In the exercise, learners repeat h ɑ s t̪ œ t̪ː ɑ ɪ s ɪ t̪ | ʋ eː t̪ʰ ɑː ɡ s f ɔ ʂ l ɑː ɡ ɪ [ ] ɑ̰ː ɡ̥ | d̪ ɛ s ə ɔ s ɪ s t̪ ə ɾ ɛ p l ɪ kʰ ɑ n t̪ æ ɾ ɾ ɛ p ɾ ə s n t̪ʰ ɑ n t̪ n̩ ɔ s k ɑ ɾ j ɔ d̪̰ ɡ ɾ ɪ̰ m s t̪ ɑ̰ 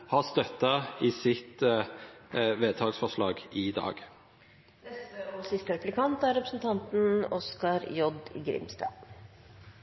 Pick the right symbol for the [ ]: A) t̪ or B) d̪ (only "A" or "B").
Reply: B